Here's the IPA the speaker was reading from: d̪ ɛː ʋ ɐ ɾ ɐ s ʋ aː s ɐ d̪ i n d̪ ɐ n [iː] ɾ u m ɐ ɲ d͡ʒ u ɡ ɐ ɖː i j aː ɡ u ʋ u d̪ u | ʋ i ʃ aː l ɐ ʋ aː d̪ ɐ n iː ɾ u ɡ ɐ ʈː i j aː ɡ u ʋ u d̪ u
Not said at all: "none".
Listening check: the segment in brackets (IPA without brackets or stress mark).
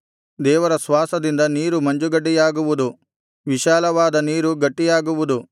iː